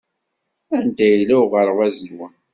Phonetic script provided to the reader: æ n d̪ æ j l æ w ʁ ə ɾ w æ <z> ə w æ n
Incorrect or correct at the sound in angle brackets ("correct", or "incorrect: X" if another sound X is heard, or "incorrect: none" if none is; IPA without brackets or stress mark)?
correct